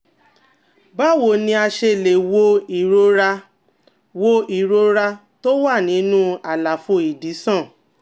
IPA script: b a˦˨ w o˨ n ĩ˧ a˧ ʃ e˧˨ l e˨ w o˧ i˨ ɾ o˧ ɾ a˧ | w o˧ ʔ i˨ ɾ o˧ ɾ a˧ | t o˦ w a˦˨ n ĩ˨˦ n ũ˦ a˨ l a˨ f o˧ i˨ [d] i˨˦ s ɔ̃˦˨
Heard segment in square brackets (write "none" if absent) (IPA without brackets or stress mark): d